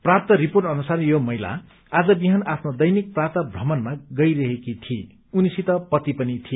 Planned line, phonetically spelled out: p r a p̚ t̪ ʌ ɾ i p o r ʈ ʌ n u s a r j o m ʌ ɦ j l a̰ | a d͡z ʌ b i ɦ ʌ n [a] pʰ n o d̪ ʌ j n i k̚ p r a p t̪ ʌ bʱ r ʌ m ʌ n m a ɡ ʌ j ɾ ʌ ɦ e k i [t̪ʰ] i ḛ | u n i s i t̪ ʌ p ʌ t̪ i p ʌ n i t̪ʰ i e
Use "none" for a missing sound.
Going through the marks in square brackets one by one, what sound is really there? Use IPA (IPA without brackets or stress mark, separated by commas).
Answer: a, t̪ʰ